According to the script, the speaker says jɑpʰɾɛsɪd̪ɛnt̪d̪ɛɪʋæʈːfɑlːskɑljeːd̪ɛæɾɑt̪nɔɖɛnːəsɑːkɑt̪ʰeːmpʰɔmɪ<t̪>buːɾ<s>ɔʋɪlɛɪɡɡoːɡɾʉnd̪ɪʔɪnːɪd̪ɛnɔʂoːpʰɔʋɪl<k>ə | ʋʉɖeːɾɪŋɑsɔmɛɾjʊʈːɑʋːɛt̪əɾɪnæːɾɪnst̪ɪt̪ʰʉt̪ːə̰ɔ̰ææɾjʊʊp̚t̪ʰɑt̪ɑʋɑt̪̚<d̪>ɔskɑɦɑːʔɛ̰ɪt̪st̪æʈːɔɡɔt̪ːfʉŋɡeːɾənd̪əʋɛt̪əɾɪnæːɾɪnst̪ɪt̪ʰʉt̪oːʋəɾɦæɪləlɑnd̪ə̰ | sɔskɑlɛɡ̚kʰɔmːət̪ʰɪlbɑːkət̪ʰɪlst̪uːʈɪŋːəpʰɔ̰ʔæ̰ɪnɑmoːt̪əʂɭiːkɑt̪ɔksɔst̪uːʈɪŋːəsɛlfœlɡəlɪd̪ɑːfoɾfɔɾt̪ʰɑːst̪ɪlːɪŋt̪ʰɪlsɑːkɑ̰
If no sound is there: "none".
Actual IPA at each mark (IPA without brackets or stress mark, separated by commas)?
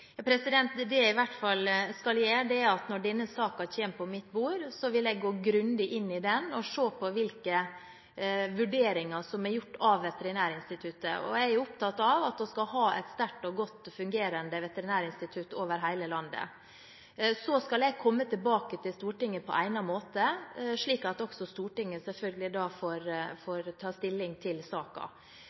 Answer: t̪, s, k, d̪